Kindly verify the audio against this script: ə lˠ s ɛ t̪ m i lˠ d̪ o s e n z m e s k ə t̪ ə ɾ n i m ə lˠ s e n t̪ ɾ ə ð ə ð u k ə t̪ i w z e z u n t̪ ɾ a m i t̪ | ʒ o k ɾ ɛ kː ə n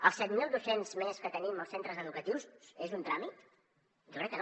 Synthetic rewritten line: ə lˠ s ɛ t̪ m i lˠ d̪ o s e n z m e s k ə t̪ ə n i m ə lˠ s e n t̪ ɾ ə z ə ð u k ə t̪ i w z e z u n t̪ ɾ a m i t̪ | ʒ o k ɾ ɛ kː ə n